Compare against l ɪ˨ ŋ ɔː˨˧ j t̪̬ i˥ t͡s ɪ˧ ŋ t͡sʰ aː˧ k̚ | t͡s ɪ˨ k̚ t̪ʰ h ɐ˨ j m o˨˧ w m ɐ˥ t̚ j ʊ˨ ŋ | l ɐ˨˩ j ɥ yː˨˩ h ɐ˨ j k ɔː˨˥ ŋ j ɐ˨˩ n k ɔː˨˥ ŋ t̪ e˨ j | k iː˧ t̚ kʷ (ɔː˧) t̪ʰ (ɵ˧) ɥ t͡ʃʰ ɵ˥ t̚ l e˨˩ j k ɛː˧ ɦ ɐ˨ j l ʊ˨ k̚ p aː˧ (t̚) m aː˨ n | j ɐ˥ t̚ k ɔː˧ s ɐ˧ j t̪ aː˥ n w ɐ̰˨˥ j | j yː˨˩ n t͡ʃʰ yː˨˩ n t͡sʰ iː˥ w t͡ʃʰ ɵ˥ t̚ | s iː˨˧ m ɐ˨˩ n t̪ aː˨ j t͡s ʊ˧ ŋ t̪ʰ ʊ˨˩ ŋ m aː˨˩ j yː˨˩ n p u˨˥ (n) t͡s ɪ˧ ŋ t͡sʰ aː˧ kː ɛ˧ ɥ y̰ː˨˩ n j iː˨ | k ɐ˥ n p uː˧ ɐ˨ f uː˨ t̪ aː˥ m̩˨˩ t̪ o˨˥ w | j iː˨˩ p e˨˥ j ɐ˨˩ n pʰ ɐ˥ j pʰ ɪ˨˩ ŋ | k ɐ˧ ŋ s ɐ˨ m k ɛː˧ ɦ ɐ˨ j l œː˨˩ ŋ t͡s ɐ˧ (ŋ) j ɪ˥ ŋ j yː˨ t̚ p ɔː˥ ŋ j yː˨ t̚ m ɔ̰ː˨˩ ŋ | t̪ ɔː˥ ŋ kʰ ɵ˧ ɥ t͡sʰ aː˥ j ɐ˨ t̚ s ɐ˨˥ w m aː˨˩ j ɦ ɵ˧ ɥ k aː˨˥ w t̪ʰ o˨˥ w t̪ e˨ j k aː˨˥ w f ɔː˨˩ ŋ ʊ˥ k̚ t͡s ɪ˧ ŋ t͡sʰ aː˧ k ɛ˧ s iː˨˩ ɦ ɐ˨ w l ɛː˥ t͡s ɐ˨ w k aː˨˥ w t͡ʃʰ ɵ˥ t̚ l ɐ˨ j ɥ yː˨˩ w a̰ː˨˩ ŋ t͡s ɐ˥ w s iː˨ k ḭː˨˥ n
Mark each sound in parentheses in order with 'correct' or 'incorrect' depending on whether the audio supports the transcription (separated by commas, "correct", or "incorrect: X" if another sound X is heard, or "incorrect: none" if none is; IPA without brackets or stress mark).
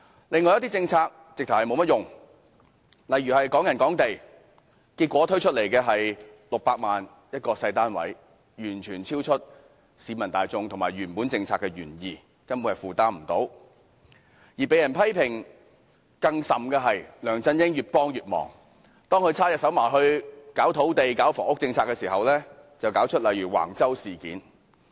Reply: incorrect: ɔː˨˥, incorrect: ɵ˥, incorrect: k̚, correct, incorrect: n